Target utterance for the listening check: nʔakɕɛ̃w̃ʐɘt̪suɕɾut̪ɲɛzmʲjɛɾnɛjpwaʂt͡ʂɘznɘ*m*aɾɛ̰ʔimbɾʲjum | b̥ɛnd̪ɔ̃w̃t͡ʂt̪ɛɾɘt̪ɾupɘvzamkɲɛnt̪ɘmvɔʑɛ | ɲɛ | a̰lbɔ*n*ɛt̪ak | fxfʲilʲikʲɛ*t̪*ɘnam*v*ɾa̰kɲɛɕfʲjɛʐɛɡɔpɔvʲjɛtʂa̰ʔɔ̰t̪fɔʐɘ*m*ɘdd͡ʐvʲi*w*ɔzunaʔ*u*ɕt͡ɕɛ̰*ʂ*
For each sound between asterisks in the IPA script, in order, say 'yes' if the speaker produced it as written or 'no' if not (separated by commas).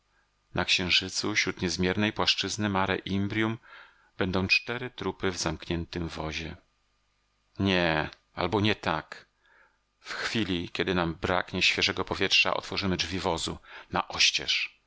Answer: yes, no, no, no, yes, no, no, yes